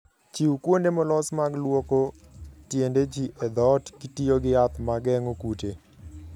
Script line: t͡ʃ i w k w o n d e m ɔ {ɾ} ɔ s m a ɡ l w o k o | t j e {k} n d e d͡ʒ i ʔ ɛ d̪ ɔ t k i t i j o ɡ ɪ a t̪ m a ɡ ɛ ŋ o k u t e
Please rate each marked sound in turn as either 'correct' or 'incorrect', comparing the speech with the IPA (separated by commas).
incorrect, incorrect